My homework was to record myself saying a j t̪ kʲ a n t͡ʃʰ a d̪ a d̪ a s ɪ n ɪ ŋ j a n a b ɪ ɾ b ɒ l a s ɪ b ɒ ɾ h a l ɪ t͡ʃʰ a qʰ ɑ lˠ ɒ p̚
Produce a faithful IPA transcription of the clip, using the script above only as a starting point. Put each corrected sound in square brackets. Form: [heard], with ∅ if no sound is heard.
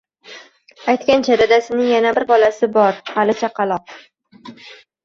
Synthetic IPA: a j t̪ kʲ a n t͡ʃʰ a d̪ a d̪ a s ɪ n ɪ ŋ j a n a b ɪ ɾ b ɒ l a s ɪ b ɒ ɾ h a l ɪ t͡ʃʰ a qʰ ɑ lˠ ɒ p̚